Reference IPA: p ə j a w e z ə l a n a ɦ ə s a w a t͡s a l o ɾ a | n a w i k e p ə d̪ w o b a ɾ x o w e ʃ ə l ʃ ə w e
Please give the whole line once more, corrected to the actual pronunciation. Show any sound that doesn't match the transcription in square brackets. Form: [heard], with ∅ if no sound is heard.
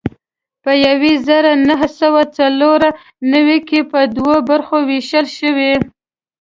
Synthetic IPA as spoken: p ə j a w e z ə [ɾ] a n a ɦ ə s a w a t͡s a l o ɾ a | n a w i k e p ə d̪ w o b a ɾ x o w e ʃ ə l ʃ ə w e